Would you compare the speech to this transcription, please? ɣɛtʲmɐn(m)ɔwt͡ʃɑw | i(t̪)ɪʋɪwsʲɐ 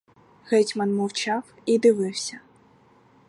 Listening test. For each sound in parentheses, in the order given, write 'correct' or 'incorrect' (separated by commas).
correct, incorrect